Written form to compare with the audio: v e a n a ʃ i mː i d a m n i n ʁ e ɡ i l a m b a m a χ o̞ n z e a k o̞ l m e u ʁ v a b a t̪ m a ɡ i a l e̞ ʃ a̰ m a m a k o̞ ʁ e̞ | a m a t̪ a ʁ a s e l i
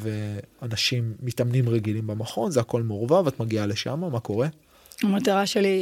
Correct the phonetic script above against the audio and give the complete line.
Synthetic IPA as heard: v e a n a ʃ i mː i t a m n i m ʁ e ɡ i l i m b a m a χ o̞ n z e a k o̞ l m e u ʁ v a v a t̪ m a ɡ i a l e̞ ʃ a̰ m a m a k o̞ ʁ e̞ | a m a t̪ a ʁ a ʃ e l i